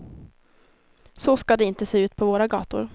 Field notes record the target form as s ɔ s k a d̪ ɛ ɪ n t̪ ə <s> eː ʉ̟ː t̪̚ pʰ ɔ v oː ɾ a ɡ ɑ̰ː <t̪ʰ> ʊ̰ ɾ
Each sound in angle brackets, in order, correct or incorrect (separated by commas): correct, incorrect